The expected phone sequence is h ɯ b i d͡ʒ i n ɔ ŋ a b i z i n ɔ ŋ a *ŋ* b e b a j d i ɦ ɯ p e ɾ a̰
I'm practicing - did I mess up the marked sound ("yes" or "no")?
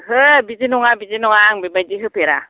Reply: no